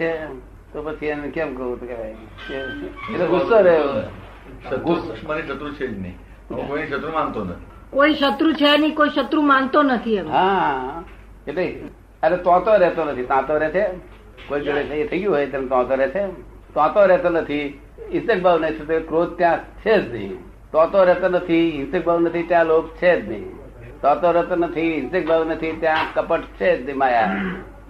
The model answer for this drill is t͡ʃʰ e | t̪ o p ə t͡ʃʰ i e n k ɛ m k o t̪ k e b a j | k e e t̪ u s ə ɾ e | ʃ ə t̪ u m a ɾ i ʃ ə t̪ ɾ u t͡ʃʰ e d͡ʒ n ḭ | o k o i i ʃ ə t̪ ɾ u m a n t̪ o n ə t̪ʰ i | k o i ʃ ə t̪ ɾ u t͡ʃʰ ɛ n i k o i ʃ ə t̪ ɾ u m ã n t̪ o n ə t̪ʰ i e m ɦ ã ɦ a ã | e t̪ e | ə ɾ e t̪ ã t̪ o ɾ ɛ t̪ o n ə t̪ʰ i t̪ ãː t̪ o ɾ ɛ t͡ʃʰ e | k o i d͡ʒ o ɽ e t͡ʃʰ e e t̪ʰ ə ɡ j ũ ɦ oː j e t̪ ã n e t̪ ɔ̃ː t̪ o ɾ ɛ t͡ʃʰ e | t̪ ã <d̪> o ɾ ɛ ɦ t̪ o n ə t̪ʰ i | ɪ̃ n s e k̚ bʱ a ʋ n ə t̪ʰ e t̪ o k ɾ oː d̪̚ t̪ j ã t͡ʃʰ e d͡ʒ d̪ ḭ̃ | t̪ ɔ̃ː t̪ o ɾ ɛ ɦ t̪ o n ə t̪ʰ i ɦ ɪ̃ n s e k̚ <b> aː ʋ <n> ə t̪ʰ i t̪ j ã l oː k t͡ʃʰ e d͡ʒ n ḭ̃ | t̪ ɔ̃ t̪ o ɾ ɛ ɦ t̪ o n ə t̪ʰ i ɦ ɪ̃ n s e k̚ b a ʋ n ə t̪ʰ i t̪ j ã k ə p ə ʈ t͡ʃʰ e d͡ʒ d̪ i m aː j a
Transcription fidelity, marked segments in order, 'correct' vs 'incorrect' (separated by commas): incorrect, correct, correct